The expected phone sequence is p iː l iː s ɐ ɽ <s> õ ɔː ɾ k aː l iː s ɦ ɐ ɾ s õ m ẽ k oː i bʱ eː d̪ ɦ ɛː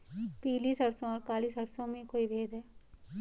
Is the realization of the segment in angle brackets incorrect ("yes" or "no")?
no